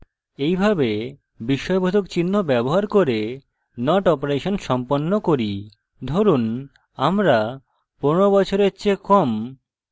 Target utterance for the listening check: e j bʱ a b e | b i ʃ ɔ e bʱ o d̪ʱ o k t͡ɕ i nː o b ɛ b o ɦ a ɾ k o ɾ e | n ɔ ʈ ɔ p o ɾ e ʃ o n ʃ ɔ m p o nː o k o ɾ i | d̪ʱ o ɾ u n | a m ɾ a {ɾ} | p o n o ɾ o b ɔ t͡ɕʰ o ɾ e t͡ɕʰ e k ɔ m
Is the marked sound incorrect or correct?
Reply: incorrect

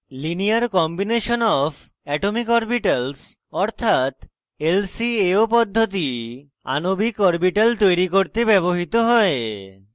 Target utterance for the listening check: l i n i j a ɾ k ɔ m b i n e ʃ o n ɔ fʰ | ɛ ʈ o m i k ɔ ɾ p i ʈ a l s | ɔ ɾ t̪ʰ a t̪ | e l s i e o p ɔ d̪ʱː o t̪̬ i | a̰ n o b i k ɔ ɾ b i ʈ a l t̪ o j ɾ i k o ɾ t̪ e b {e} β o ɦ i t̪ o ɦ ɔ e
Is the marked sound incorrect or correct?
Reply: incorrect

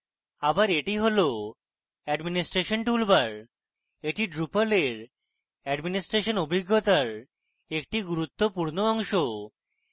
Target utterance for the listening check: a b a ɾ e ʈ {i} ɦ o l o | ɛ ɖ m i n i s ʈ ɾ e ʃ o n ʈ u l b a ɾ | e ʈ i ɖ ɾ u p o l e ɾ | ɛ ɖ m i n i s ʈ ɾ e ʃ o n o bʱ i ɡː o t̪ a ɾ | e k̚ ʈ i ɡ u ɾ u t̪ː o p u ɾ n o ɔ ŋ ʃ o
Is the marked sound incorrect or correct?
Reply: correct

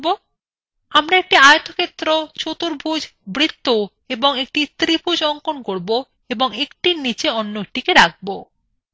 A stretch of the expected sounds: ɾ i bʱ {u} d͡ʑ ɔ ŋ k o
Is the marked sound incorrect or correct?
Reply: correct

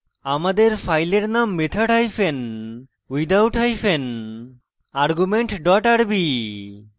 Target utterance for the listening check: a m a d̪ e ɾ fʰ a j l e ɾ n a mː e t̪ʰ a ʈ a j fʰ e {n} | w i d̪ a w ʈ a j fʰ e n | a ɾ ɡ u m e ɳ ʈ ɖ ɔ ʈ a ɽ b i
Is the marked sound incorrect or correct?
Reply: correct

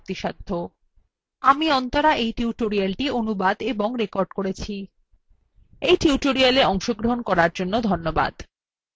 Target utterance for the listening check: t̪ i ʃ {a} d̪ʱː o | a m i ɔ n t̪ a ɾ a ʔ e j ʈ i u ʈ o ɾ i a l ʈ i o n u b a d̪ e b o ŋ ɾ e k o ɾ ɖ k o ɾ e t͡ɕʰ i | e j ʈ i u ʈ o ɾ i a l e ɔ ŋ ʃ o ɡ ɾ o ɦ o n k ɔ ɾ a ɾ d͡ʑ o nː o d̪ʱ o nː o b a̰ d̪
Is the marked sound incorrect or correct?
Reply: correct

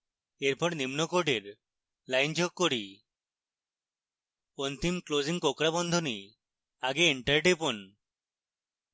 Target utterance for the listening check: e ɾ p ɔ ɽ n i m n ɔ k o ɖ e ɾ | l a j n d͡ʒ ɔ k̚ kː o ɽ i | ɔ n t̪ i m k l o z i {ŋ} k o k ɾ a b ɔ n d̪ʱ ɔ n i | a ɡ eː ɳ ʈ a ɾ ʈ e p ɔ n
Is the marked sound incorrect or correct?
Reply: correct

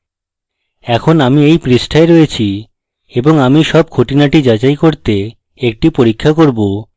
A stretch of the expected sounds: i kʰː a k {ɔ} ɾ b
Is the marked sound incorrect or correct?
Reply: incorrect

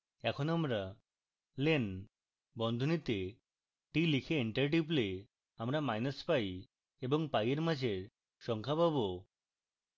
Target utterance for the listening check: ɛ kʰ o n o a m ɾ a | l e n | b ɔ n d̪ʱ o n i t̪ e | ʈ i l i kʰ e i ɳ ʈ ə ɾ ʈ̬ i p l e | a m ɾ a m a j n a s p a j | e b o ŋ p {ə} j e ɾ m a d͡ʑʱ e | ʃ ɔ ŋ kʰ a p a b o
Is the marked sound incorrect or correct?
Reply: incorrect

